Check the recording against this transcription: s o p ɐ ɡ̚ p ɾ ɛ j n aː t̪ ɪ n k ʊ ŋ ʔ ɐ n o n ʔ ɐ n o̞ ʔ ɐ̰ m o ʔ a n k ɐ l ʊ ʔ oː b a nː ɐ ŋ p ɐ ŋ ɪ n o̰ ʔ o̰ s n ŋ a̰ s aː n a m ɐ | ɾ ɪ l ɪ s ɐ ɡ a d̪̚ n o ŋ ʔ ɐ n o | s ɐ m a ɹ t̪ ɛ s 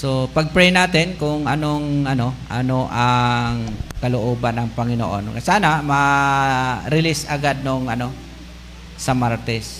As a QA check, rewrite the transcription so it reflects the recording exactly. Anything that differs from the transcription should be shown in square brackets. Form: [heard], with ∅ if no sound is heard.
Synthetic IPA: s o p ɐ ɡ̚ p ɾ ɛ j n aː t̪ ɪ n k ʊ ŋ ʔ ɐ n o [ŋ] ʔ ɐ n o̞ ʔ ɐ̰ [n] o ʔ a [ŋ] k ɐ l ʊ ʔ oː b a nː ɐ ŋ p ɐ ŋ ɪ n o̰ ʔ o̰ [∅] n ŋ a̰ s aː n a m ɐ | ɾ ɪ l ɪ s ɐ ɡ a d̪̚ n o ŋ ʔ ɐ n o | s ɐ m a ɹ t̪ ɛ s